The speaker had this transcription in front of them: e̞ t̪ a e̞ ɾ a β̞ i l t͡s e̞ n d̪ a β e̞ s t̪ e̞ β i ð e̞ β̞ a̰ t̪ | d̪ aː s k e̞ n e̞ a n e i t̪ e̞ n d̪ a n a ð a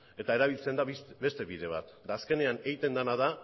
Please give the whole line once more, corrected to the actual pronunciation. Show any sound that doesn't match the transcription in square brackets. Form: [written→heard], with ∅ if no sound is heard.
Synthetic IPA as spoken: e̞ t̪ a e̞ ɾ a β̞ i l t͡s e̞ n d̪ a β e̞ s t̪ e̞ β i ð e̞ β̞ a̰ t̪ | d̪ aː s k e̞ n e̞ a n e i t̪ e̞ n d̪ a n a ð a